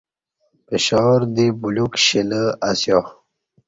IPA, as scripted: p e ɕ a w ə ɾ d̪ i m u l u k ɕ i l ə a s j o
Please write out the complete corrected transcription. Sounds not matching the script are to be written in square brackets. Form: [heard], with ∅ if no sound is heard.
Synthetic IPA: p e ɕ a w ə ɾ d̪ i [b] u l u k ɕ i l ə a s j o